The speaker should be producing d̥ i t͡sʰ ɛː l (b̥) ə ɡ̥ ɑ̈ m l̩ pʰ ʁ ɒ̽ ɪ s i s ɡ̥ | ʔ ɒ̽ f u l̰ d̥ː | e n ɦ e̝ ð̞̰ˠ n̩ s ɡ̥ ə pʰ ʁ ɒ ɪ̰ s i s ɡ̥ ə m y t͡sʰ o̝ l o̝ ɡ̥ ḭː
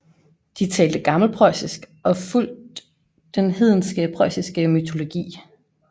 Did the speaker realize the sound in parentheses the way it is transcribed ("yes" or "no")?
no